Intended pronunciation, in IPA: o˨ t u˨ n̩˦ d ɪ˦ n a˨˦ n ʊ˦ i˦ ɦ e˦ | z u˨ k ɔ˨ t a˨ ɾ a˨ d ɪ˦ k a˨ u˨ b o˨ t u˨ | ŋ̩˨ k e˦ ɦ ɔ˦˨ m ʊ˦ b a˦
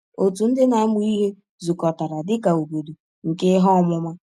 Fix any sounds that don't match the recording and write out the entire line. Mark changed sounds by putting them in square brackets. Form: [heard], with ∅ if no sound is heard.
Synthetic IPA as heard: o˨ t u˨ n̩˦ d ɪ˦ n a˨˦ [m] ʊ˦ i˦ ɦ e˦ | z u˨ k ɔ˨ t a˨ ɾ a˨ d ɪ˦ k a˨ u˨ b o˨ [d] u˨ | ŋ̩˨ k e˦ ɦ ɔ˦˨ m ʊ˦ [m] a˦

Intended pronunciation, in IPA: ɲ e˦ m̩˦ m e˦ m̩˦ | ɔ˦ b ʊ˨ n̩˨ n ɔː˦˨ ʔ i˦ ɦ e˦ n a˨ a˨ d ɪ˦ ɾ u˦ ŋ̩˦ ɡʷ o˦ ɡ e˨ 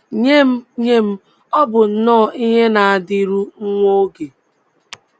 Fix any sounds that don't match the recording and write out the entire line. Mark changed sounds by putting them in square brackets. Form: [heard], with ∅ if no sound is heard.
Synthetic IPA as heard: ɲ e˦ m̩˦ [ɲ] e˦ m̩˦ | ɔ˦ b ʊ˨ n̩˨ n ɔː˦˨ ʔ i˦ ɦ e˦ n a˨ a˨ d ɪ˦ ɾ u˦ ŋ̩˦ [ŋʷ] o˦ ɡ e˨

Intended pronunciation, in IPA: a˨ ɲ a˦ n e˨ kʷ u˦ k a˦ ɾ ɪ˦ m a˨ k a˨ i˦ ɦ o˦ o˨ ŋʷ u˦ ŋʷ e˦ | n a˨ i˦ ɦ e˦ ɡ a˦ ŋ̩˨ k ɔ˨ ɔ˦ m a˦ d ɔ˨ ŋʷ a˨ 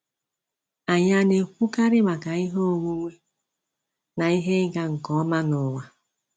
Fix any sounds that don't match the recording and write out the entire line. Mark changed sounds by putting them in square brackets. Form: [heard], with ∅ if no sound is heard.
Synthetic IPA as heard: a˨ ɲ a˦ n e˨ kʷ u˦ k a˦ ɾ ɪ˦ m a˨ k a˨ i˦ ɦ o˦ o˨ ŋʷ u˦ ŋʷ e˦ | n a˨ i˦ ɦ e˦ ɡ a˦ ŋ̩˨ k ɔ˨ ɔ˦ m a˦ [n] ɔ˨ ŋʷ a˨

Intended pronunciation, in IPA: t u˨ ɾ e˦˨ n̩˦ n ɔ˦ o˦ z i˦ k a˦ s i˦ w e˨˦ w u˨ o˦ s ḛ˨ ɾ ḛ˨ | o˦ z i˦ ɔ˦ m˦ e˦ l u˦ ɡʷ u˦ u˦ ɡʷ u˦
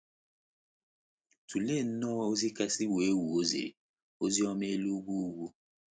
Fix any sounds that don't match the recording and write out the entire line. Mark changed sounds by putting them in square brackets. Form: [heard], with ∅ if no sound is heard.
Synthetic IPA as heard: t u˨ [l] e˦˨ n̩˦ n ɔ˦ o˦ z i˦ k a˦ s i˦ w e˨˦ w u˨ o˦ [z] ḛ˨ ɾ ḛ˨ | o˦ z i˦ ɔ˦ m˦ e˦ l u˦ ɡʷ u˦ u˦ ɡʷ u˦

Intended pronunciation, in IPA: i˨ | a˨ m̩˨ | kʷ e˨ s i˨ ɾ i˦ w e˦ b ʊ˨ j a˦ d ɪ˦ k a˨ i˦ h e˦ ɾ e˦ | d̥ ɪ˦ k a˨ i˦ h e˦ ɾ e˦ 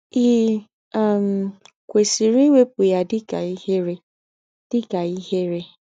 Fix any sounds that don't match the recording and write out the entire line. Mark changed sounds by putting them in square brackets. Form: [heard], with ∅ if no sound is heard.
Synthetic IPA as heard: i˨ | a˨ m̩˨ | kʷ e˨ s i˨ ɾ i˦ w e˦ [p] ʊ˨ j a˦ d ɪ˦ k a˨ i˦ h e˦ ɾ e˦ | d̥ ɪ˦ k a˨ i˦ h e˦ ɾ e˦

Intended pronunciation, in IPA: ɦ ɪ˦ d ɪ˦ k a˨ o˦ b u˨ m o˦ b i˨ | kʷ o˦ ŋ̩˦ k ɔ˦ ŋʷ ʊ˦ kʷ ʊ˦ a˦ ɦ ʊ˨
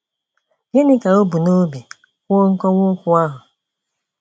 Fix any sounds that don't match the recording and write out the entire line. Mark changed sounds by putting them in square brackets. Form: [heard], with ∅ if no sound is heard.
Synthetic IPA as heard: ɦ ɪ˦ [n] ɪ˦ k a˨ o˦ b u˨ [n] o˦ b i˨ | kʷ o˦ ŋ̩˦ k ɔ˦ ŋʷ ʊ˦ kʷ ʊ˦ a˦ ɦ ʊ˨

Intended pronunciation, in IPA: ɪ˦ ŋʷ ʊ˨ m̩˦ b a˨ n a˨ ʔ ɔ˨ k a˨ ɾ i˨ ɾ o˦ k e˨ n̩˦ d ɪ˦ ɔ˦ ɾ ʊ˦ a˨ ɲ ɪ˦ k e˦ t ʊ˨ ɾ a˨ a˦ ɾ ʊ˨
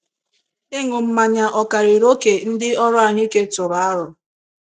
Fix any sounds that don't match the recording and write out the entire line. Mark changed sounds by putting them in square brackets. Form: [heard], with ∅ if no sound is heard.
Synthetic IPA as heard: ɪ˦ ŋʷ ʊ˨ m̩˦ [m] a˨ [ɲ] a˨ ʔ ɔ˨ k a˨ ɾ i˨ ɾ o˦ k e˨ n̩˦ d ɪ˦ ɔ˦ ɾ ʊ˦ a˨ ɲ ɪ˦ k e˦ t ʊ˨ ɾ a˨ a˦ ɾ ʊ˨

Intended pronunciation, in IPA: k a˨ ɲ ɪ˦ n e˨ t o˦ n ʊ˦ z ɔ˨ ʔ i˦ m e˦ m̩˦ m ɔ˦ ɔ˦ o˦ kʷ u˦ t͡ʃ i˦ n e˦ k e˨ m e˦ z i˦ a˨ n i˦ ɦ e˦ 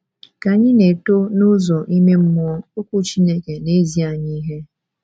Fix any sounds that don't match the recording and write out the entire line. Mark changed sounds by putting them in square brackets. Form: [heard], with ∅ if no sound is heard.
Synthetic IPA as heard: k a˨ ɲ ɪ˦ n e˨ t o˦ n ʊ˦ z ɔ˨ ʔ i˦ m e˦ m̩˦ m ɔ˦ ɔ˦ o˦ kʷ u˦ t͡ʃ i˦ n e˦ k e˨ [n] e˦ z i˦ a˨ [ɲ] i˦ ɦ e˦

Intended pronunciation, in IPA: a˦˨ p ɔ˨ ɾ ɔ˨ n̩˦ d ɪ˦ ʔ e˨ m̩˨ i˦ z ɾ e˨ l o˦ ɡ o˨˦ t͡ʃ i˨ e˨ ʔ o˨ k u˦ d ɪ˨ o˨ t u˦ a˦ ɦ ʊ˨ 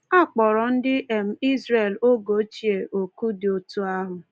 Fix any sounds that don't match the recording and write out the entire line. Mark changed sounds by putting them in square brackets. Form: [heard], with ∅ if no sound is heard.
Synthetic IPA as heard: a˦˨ [k͡p] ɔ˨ ɾ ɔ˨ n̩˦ d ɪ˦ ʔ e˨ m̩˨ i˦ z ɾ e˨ l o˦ ɡ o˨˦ t͡ʃ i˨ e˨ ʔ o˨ k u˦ d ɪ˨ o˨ t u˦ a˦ ɦ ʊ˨

